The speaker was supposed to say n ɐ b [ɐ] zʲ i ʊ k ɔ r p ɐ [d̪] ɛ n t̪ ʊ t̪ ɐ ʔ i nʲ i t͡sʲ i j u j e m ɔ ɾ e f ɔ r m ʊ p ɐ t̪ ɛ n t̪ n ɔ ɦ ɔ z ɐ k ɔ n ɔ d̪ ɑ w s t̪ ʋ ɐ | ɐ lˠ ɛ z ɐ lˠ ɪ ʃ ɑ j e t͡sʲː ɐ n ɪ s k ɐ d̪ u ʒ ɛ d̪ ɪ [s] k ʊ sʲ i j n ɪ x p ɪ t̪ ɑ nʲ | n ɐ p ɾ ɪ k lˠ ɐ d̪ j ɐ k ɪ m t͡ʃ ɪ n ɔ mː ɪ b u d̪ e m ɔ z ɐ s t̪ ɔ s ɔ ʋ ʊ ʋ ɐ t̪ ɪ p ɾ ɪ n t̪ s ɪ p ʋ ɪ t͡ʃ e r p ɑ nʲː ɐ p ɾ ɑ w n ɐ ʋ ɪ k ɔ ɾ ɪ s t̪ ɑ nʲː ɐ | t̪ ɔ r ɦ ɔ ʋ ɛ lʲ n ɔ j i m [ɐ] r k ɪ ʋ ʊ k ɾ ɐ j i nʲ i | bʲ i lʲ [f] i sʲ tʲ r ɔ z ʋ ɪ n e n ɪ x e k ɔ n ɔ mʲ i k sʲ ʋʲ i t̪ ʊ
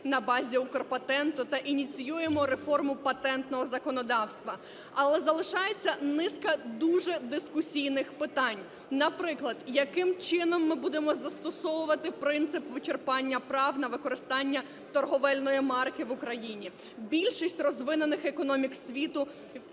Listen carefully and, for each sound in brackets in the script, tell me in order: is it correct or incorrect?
incorrect: ɑ, incorrect: t̪, correct, incorrect: ɑ, incorrect: ʃ

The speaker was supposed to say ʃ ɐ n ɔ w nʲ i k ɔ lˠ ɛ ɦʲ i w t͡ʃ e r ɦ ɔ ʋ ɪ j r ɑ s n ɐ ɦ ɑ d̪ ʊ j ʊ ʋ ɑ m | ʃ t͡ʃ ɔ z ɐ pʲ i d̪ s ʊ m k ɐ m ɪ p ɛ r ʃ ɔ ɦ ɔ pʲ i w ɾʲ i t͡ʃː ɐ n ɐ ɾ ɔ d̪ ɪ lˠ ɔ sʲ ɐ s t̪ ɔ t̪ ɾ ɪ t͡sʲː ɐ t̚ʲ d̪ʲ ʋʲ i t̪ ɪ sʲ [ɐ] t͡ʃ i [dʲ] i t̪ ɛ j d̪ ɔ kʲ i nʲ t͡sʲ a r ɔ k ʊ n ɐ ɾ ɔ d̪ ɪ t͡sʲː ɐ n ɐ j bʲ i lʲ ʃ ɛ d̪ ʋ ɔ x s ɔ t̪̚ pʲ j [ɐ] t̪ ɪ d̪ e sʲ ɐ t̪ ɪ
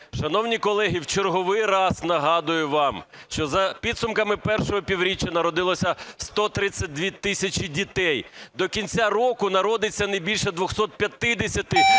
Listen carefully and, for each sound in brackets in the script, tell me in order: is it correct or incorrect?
correct, correct, correct

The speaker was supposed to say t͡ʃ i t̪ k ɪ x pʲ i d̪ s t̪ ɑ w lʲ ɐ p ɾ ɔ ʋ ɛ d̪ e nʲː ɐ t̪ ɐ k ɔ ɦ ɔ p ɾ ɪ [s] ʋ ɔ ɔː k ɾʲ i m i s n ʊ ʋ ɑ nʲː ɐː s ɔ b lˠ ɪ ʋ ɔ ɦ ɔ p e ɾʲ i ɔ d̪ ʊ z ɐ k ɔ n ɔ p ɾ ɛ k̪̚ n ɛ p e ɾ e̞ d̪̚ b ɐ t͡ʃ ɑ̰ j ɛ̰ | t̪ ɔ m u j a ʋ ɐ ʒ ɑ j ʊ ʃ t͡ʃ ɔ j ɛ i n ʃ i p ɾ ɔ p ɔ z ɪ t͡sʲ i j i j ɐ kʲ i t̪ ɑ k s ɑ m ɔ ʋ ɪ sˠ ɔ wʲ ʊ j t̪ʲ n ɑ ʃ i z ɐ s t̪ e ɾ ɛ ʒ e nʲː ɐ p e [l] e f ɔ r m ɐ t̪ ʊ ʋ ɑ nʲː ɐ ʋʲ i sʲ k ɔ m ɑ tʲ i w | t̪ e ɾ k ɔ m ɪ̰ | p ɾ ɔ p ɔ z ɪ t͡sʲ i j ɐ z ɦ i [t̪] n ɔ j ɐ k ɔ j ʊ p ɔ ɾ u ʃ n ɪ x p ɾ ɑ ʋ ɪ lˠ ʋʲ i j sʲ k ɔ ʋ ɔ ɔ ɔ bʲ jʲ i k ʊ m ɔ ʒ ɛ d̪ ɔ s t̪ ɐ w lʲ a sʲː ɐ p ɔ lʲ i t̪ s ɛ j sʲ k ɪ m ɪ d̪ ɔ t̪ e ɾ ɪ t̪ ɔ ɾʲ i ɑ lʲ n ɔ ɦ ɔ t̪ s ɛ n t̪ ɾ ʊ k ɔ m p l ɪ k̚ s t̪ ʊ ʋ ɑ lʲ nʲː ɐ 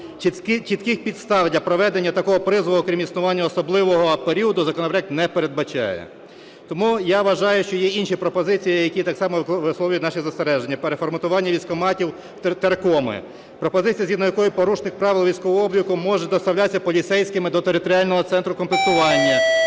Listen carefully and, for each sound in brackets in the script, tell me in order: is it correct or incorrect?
incorrect: z, incorrect: ɾ, incorrect: d̪

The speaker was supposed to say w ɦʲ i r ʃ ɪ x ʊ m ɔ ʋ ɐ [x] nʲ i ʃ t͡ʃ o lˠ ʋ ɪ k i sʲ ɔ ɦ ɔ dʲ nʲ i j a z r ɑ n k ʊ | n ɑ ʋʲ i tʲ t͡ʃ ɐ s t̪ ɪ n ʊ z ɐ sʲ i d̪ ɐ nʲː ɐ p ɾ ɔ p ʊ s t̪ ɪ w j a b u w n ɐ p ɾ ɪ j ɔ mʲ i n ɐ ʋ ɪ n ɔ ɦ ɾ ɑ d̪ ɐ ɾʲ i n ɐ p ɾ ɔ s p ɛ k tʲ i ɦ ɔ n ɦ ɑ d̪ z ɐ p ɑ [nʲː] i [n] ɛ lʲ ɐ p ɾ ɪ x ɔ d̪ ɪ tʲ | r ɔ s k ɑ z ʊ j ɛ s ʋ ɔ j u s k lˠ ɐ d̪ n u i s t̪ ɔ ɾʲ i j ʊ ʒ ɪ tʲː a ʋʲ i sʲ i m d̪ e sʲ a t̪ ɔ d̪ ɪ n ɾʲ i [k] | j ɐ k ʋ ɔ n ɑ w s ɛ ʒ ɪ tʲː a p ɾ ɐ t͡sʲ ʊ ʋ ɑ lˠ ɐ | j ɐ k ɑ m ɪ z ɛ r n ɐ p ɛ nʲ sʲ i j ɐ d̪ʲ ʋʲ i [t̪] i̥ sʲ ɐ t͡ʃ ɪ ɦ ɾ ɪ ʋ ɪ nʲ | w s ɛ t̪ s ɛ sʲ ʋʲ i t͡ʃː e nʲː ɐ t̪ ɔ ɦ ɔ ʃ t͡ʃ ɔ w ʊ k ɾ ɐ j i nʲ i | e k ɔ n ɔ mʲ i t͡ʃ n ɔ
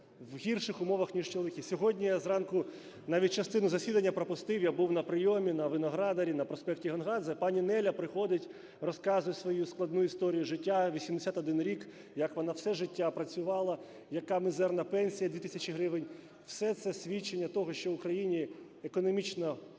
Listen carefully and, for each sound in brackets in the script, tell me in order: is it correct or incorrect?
correct, incorrect: nʲ, correct, correct, correct

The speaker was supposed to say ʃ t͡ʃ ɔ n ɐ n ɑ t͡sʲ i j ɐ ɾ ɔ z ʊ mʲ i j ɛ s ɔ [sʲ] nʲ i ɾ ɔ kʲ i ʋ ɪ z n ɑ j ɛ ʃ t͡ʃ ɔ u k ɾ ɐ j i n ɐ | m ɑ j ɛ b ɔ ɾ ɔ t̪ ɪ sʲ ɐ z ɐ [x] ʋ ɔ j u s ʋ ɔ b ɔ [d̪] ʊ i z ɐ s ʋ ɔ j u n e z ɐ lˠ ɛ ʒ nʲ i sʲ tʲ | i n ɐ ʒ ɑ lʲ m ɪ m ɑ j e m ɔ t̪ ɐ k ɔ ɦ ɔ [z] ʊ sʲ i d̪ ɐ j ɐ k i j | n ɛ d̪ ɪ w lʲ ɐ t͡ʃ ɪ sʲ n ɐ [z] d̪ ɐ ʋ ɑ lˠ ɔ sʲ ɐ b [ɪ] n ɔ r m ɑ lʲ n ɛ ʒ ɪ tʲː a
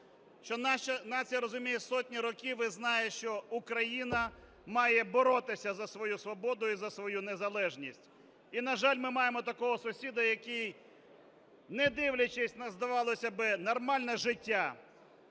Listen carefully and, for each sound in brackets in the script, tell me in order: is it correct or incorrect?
incorrect: tʲ, incorrect: s, correct, incorrect: s, correct, correct

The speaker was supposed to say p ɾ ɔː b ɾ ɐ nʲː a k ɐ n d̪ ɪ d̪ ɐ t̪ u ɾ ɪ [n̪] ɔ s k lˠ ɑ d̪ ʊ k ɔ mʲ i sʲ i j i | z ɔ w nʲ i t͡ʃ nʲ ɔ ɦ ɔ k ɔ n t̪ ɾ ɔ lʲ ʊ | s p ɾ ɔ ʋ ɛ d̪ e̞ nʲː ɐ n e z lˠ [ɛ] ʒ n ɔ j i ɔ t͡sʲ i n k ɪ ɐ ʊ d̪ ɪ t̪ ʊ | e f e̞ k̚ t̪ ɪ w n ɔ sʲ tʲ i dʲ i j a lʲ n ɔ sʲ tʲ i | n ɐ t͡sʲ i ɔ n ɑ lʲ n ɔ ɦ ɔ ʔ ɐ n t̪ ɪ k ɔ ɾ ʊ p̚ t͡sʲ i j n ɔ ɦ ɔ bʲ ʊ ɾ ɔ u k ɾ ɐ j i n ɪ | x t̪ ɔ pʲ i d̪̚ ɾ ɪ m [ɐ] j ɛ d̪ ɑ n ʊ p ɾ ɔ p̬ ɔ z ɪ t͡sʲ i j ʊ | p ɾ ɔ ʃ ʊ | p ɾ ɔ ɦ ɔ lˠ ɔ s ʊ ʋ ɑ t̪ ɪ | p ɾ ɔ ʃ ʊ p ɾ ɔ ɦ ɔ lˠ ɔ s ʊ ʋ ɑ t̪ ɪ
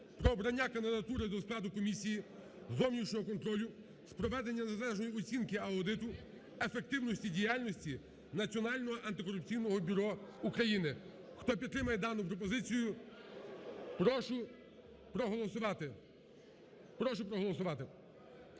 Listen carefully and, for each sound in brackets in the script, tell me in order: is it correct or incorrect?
incorrect: d̪, correct, correct

